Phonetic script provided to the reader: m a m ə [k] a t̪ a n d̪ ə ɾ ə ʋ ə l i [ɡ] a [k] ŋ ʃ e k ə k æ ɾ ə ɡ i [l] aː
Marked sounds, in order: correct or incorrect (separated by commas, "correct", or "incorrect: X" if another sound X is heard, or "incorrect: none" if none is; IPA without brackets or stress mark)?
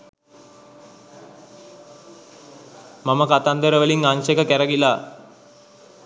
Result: correct, incorrect: ŋ, incorrect: none, correct